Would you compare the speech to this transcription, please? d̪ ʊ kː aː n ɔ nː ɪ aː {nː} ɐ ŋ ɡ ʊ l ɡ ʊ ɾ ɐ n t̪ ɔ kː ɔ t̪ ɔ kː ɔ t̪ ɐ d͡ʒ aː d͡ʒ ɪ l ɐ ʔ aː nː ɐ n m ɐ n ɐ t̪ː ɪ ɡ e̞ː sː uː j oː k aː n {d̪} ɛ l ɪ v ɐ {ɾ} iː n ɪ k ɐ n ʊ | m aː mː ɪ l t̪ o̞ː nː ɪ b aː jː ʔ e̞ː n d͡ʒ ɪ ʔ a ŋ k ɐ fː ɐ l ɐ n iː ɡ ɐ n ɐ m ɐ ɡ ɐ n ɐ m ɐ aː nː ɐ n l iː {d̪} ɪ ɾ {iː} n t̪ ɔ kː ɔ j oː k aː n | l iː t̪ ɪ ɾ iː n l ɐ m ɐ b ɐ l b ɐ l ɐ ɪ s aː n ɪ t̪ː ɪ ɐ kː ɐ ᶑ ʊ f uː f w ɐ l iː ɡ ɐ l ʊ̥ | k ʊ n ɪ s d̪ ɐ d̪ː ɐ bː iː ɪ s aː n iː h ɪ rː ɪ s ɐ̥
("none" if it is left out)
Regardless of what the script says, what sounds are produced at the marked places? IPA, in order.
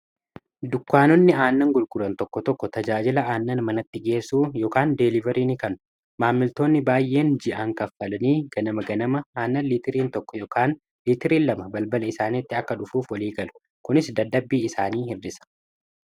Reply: nː, d̪, ɾ, t̪, iː

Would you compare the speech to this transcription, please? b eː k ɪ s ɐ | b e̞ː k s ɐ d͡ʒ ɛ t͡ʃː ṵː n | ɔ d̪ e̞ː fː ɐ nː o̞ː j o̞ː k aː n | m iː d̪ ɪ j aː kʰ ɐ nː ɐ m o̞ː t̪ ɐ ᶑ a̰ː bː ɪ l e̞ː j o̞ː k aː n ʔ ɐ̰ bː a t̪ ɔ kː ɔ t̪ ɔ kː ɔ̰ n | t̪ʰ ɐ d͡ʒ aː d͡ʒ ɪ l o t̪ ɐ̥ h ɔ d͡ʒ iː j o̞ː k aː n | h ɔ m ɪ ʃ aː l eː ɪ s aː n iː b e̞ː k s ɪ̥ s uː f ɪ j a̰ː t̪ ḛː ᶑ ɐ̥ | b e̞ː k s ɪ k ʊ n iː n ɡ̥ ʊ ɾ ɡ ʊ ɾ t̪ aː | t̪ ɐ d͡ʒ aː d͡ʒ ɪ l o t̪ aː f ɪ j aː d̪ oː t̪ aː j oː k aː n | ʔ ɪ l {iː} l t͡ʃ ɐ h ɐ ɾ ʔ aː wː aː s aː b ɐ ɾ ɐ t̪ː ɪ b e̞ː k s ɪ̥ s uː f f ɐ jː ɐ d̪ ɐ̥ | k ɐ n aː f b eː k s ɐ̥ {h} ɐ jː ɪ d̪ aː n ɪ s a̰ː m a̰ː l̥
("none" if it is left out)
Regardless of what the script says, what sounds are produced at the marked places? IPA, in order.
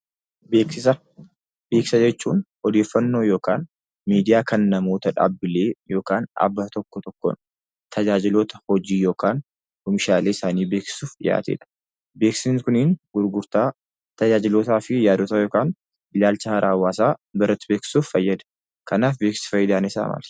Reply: aː, f

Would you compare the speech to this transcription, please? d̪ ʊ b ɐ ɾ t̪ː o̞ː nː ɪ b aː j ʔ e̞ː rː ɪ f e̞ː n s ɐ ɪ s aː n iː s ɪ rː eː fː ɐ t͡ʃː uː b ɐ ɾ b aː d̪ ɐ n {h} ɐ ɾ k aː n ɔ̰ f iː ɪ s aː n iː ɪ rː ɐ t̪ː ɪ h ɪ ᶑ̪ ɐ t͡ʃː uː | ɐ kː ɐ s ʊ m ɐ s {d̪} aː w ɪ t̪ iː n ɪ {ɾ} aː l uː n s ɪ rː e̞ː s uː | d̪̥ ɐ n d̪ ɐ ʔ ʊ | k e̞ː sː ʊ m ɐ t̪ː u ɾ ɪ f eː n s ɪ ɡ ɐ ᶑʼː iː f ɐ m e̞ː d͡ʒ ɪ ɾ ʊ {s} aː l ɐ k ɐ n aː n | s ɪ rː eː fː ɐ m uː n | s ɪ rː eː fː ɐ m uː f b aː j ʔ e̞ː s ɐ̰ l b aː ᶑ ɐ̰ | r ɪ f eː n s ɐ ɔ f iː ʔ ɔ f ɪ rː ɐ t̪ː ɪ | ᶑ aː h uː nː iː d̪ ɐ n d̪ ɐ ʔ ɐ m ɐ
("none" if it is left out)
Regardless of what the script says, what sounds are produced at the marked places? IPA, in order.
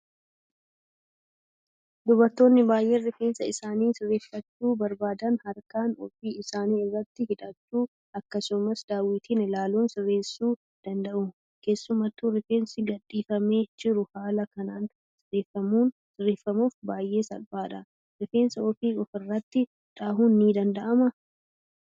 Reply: h, d̪, l, h

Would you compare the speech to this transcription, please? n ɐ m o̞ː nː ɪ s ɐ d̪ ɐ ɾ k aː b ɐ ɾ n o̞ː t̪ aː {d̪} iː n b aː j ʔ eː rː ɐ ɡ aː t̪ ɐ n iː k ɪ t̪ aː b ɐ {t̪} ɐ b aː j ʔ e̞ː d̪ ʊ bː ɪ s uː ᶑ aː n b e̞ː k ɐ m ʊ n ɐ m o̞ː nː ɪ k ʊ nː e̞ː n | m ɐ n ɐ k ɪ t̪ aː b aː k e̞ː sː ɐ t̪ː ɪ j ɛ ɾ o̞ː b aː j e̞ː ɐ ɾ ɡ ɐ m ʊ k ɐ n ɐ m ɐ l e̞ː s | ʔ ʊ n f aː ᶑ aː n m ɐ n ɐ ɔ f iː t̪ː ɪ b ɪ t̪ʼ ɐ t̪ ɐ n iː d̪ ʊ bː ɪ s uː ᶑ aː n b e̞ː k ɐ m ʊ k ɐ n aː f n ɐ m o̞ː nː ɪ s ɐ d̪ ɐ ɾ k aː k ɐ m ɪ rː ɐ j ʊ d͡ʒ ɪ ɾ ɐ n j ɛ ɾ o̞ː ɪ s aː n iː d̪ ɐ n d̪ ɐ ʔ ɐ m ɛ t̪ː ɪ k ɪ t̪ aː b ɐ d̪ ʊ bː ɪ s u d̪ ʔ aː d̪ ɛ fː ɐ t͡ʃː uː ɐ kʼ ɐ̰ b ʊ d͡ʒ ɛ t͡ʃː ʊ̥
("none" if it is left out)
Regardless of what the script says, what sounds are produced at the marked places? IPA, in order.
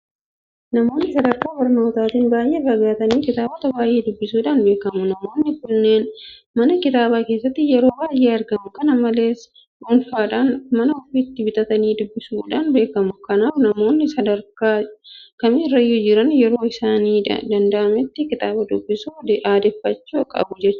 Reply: t̪, t̪

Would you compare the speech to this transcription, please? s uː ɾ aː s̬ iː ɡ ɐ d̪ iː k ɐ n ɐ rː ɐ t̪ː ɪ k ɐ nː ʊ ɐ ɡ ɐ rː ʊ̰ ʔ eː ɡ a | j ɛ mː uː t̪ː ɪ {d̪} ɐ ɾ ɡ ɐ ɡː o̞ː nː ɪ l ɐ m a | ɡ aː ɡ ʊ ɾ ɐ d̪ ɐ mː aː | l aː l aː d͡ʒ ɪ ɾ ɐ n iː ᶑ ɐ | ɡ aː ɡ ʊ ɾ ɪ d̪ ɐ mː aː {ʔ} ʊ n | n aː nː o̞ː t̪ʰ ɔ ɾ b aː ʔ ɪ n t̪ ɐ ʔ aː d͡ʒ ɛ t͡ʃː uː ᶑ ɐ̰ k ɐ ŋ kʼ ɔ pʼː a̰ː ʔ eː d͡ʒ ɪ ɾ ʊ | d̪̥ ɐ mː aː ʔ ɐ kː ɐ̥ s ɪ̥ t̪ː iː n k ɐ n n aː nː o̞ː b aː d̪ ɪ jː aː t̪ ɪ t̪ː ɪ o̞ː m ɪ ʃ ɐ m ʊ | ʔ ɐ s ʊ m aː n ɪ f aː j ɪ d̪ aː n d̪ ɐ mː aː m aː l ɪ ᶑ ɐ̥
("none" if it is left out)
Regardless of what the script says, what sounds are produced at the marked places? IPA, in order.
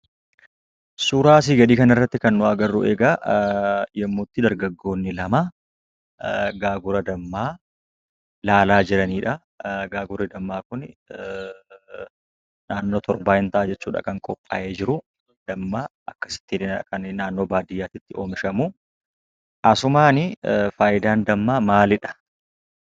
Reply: d̪, k

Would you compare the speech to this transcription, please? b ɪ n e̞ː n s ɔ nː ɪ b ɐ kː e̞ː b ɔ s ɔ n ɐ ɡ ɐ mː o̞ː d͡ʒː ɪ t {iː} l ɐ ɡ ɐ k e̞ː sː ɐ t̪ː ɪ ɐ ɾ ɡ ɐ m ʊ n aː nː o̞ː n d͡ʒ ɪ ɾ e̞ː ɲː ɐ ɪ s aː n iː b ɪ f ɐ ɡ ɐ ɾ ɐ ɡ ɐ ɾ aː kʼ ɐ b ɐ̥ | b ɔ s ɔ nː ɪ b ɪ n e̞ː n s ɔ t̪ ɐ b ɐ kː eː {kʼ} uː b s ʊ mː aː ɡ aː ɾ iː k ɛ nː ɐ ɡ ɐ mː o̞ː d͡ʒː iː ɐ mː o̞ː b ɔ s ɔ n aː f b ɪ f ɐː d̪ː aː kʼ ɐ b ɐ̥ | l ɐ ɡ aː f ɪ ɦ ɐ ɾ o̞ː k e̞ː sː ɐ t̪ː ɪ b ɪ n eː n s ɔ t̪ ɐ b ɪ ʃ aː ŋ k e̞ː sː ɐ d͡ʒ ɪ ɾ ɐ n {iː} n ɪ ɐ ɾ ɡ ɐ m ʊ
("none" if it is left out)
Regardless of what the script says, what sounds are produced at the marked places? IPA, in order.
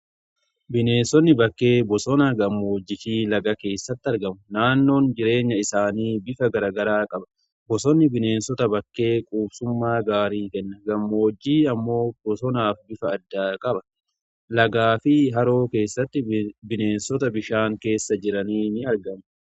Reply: iː, kʼ, iː

